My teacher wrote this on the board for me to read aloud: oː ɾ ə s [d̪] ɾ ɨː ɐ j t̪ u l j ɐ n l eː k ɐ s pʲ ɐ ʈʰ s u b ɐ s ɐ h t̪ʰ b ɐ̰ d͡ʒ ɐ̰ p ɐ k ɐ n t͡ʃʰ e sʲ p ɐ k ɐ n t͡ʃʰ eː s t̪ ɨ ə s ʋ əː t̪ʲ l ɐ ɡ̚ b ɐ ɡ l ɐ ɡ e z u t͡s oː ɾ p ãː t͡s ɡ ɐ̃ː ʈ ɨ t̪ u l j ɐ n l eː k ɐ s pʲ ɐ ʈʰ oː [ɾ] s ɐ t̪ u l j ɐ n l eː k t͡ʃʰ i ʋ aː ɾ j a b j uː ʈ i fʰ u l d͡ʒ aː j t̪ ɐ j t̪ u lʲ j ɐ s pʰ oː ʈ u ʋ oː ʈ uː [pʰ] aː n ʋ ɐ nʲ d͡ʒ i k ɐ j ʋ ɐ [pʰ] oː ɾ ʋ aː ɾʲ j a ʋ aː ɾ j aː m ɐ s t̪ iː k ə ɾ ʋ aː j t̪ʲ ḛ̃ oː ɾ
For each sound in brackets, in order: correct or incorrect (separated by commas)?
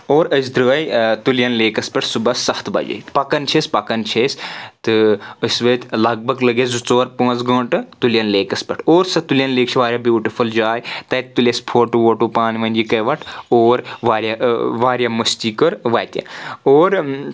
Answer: correct, correct, incorrect, incorrect